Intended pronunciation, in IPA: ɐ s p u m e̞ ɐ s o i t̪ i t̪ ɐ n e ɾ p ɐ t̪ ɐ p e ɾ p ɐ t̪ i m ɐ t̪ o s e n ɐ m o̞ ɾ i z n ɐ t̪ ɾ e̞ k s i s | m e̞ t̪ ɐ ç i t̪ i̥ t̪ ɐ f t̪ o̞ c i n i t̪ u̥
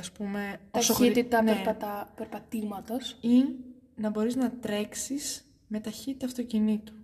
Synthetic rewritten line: ɐ s p u m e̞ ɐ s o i t̪ i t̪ ɐ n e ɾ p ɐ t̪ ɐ p e ɾ p ɐ t̪ i m ɐ t̪ o s i n ɐ b o̞ ɾ i z n ɐ t̪ ɾ e̞ k s i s | m e̞ t̪ ɐ ç i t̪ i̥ t̪ ɐ f t̪ o̞ c i n i t̪ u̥